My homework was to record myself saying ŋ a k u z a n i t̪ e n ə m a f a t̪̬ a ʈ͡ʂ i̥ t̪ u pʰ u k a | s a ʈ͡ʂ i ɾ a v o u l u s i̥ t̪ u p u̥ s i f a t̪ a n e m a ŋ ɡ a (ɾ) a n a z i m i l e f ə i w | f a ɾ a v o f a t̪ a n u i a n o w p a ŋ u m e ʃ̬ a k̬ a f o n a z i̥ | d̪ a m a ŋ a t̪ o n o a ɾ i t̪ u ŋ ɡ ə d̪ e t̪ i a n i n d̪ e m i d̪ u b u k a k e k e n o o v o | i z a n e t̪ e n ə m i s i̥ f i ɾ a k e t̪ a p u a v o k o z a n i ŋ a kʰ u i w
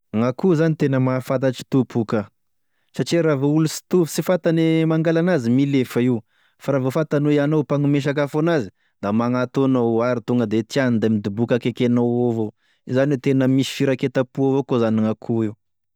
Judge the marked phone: incorrect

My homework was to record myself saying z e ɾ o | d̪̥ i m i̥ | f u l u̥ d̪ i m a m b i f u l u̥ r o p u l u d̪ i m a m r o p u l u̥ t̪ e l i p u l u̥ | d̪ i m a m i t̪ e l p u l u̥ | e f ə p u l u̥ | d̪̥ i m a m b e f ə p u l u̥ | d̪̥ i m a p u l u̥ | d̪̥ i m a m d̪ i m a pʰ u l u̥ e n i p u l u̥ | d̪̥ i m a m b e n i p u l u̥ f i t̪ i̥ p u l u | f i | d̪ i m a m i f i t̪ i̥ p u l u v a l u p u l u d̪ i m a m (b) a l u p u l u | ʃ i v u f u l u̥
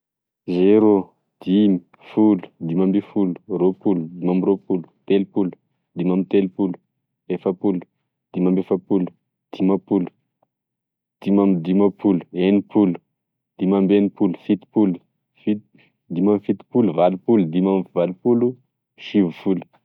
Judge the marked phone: incorrect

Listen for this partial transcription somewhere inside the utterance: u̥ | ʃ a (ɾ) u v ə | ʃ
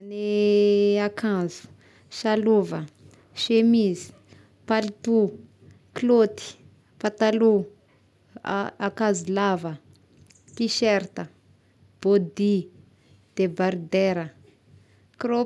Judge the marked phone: incorrect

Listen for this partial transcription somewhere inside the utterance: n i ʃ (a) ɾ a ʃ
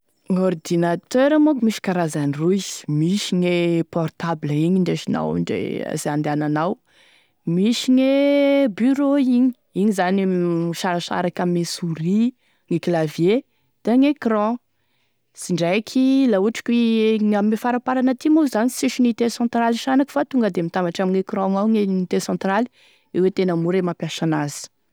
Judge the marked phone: correct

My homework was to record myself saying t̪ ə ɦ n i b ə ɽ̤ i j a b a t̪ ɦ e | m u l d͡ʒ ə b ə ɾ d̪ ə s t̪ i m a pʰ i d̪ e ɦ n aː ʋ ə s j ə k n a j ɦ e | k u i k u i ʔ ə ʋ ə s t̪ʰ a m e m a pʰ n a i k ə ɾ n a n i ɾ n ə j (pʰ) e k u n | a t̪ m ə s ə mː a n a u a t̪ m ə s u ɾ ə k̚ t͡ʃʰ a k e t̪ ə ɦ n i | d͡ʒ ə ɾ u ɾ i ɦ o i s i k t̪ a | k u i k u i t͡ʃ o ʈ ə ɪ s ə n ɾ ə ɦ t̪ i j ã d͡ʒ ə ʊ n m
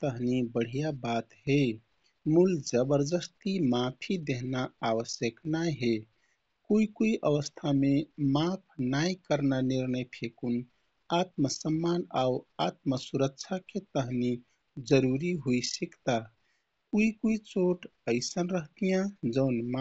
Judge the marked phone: correct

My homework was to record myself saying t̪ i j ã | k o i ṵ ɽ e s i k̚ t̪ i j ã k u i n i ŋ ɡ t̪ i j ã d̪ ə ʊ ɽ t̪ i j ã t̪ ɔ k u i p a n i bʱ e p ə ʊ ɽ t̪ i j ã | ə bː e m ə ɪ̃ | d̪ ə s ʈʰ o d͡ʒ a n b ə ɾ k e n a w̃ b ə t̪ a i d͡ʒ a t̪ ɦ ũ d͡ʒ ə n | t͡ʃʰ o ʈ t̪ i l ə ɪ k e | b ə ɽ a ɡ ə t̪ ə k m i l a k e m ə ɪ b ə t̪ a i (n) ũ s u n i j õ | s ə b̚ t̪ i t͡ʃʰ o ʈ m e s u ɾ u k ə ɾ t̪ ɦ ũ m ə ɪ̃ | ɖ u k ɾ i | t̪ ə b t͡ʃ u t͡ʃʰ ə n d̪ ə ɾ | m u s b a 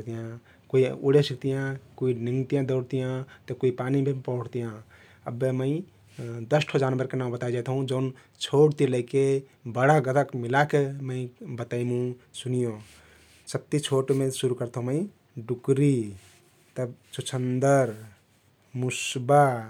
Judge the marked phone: incorrect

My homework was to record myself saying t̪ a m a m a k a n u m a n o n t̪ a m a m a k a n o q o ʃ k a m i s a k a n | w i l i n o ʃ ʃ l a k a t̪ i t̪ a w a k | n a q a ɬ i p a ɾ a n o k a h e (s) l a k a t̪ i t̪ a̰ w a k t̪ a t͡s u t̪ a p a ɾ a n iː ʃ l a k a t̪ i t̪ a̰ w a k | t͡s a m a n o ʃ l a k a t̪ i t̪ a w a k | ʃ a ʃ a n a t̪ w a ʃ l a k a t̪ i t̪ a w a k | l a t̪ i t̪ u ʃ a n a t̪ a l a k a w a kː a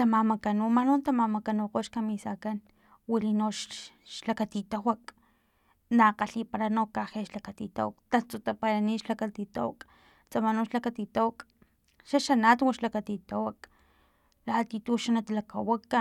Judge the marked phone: incorrect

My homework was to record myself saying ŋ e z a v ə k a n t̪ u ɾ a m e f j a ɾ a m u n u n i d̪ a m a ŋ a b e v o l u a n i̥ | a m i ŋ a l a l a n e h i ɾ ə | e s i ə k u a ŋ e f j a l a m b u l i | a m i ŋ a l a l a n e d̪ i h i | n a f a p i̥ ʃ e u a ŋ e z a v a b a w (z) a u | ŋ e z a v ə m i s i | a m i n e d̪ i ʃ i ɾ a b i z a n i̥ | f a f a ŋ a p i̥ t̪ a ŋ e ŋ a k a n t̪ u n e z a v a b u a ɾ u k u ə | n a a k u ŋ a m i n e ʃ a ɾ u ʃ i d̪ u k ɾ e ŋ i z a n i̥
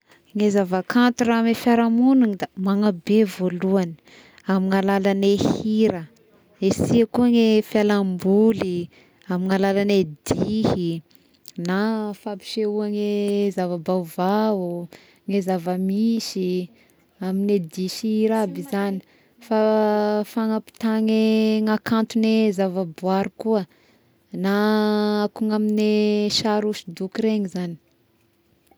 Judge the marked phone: incorrect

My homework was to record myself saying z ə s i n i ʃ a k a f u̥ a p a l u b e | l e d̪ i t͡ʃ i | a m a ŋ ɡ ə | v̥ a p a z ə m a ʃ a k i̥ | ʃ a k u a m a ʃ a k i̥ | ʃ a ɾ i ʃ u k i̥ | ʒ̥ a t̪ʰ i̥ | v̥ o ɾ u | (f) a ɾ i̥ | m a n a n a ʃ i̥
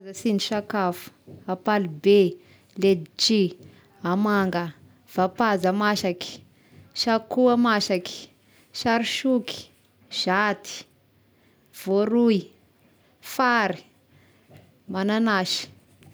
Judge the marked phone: correct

